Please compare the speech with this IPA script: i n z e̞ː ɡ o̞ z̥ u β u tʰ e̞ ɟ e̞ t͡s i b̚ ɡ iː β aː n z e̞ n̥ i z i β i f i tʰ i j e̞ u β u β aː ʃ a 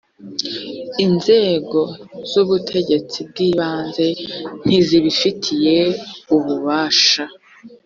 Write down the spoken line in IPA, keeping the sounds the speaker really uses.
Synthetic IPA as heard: i n z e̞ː ɡ o̞ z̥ u β u tʰ e̞ ɟ e̞ t͡s i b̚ ɡ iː β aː n z e̞ n̥ i z i β i f i tʰ i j e̞ u β u β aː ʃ a